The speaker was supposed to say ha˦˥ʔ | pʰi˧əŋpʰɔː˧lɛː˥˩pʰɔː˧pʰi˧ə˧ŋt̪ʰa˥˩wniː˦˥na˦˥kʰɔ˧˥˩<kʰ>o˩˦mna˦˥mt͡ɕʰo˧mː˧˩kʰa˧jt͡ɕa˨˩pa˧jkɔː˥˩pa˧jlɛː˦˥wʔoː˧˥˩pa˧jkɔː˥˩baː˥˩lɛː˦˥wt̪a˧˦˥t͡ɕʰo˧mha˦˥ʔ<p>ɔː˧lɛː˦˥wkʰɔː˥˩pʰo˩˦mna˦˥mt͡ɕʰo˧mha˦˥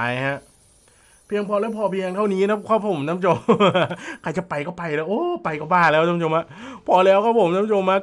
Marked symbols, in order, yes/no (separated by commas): no, no